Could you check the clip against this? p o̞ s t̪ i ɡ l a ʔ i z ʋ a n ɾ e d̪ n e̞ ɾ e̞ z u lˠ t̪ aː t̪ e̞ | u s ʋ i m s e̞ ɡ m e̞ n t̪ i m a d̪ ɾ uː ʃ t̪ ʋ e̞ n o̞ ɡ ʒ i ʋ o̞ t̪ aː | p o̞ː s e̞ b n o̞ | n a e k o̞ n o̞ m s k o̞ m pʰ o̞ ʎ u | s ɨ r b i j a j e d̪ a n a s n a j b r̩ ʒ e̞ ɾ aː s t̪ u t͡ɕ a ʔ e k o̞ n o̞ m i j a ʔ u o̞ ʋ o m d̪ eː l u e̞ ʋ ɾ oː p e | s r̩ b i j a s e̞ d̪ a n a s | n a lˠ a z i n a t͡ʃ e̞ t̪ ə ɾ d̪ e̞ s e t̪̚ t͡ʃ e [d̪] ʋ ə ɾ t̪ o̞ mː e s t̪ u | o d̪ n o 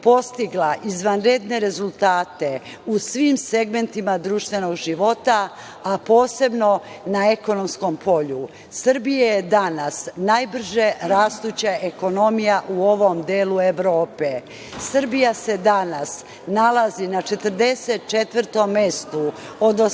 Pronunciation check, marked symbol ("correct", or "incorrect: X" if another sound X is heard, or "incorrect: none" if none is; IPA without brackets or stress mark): incorrect: t̪